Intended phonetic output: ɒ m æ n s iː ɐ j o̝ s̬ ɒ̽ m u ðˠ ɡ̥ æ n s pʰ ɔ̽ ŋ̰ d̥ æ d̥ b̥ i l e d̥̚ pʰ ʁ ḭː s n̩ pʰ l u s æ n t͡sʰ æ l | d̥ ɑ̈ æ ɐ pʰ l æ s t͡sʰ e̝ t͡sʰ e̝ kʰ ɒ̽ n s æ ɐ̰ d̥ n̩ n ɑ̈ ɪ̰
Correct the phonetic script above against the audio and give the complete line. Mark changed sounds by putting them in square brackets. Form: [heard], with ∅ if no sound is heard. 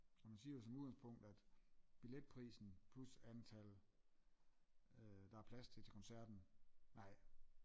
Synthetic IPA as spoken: ɒ m æ n s iː ɐ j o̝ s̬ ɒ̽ m u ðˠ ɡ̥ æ n s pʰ ɔ̽ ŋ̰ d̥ æ d̥ b̥ i l e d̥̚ pʰ ʁ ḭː s n̩ pʰ l u s æ n t͡sʰ æ l | d̥ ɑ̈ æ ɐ pʰ l æ s t͡sʰ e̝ t͡sʰ e̝ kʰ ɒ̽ n s æ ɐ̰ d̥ n̩ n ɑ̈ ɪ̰